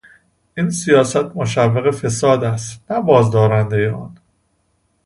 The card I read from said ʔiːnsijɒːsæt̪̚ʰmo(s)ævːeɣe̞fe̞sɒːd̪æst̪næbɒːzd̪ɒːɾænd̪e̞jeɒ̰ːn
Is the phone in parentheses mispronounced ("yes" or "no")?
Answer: yes